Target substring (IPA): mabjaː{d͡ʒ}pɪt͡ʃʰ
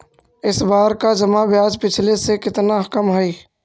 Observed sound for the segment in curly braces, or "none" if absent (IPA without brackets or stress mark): d͡ʒ